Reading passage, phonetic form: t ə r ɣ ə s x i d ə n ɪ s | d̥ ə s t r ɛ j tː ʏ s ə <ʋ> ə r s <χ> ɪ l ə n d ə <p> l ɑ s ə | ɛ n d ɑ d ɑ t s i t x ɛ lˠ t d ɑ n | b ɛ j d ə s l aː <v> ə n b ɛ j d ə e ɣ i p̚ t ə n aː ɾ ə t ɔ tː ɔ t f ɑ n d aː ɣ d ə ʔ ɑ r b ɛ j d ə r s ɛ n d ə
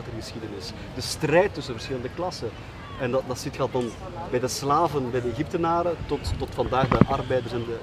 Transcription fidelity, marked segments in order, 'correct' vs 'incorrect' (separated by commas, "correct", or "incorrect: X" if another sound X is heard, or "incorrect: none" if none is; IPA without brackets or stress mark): incorrect: v, incorrect: x, incorrect: k, correct